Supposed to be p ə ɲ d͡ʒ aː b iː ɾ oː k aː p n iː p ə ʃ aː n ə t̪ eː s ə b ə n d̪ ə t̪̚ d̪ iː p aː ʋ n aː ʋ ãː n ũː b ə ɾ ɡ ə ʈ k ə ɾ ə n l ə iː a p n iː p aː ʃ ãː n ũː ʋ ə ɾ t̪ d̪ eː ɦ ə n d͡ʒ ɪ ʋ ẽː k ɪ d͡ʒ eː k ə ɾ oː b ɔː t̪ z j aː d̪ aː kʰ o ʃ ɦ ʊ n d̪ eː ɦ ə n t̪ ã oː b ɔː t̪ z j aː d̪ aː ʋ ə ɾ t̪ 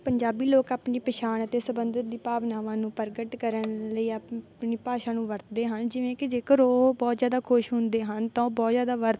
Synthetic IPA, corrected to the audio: p ə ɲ d͡ʒ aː b iː l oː k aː p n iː p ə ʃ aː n ə t̪ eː s ə b ə n d̪ ə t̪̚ d̪ iː p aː ʋ n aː ʋ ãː n ũː p ə ɾ ɡ ə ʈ k ə ɾ ə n l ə iː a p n iː p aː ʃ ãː n ũː ʋ ə ɾ t̪ d̪ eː ɦ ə n d͡ʒ ɪ ʋ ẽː k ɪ d͡ʒ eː k ə ɾ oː b ɔː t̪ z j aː d̪ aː kʰ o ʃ ɦ ʊ n d̪ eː ɦ ə n t̪ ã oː b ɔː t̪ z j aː d̪ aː ʋ ə ɾ t̪